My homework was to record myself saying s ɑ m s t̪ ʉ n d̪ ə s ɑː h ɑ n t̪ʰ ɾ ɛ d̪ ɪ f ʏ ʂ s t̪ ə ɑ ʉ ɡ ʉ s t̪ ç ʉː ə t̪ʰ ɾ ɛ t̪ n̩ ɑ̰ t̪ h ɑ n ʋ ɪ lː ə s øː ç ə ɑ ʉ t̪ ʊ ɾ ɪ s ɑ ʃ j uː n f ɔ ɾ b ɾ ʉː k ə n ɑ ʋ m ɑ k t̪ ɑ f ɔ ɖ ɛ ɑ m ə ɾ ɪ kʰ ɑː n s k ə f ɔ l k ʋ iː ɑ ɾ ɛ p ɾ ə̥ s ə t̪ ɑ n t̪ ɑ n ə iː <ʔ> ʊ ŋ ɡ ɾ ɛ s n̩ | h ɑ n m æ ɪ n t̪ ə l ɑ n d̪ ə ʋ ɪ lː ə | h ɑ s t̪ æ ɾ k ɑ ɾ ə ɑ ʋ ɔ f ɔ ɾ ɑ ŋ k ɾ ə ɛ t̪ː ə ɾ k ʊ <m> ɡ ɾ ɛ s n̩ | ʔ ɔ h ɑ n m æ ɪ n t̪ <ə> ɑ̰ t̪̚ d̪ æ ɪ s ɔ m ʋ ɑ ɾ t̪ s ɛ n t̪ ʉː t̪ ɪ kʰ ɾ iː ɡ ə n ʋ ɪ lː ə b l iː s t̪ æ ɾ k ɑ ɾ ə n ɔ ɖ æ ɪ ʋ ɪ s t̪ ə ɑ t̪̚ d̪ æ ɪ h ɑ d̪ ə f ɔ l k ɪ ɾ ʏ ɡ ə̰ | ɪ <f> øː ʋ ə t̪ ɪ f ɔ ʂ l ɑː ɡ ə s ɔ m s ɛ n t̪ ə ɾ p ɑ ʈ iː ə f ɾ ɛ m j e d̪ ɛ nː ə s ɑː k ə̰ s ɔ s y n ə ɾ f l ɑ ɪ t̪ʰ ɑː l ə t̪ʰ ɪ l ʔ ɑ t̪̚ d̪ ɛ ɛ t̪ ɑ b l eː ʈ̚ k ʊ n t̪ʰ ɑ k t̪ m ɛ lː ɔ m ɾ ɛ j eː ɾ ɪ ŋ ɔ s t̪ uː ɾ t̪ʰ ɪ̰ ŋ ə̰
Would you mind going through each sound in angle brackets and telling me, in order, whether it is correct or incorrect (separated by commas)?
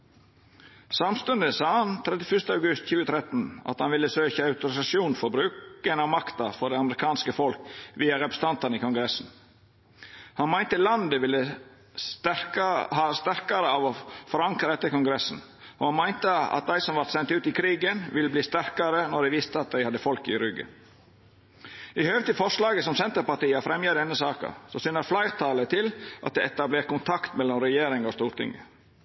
incorrect, incorrect, correct, incorrect